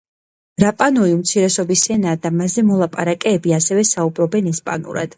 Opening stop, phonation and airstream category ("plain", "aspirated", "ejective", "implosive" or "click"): ejective